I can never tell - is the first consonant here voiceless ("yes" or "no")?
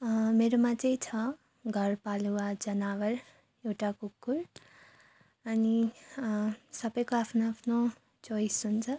no